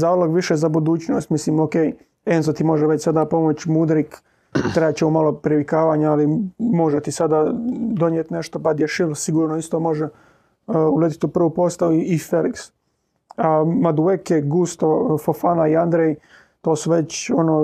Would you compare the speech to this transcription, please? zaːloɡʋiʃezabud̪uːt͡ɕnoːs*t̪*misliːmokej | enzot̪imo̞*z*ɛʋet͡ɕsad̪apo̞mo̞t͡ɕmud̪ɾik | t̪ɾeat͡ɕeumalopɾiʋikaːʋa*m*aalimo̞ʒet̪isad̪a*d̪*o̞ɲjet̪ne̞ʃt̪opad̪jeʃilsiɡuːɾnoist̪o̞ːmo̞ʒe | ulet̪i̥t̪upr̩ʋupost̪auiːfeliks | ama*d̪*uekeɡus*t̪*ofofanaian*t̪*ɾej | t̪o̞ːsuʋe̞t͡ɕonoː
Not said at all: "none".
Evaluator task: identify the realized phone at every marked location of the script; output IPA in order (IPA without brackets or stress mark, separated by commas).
t̪, ʒ, ɲ, d̪, d̪, t̪, d̪